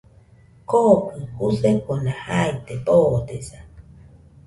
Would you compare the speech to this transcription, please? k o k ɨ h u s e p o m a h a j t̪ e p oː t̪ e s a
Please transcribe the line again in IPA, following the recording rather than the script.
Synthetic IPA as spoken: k o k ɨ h u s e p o n a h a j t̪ e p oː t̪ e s a